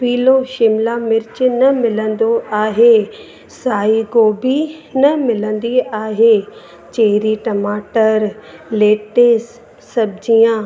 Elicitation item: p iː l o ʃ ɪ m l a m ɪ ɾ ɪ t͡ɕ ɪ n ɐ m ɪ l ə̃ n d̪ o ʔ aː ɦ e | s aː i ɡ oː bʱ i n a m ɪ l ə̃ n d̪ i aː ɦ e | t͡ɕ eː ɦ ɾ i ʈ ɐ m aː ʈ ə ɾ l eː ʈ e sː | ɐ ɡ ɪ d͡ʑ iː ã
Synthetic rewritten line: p iː l o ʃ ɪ m l a m ɪ ɾ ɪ t͡ɕ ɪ n ɐ m ɪ l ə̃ n d̪ o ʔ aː ɦ e | s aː i ɡ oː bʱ i n ɐ m ɪ l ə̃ n d̪ i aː ɦ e | t͡ɕ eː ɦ ɾ i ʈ ɐ m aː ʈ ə ɾ l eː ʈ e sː | ɐ b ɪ d͡ʑ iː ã